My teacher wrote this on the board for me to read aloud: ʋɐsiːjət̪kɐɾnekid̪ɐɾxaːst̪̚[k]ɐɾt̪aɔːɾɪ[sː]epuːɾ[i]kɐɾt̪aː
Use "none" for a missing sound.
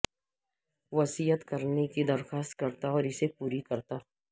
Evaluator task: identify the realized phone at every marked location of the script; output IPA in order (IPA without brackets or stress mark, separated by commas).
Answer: k, s, i